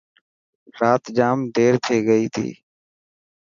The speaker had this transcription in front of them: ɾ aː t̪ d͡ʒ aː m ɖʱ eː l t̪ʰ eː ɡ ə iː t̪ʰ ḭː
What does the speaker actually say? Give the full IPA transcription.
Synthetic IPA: ɾ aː t̪ d͡ʒ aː m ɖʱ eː ɾ t̪ʰ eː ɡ ə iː t̪ʰ ḭː